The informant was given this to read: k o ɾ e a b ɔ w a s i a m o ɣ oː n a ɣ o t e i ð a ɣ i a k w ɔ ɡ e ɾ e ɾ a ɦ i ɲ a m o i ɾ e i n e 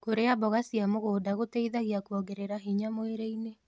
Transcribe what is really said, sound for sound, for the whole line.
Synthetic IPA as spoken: k o ɾ e a b ɔ ɣ a s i a m o ɣ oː d a ɣ o t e i ð a ɣ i a k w ɔ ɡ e ɾ e ɾ a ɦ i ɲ a m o e ɾ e i n e